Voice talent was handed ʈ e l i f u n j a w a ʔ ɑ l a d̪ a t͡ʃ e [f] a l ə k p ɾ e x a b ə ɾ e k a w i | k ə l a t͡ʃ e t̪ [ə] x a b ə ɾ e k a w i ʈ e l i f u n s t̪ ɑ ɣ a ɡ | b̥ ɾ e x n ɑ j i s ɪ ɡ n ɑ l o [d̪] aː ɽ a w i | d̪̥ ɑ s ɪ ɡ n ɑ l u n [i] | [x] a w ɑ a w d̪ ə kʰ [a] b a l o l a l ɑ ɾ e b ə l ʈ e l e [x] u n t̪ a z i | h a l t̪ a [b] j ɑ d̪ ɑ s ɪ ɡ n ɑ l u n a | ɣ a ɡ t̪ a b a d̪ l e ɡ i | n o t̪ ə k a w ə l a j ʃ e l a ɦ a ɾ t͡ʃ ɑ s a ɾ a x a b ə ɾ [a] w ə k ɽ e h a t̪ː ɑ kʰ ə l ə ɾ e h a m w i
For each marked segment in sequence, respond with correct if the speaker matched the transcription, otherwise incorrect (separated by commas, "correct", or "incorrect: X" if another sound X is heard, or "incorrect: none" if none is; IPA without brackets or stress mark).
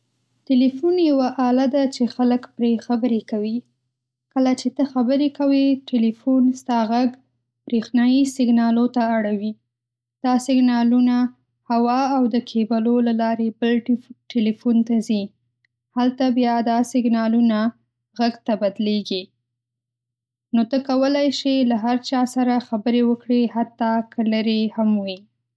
incorrect: x, correct, incorrect: t̪, incorrect: a, incorrect: h, incorrect: e, incorrect: f, correct, incorrect: e